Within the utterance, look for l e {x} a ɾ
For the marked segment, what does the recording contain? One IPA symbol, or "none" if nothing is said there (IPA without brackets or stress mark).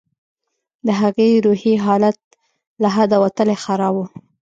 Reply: x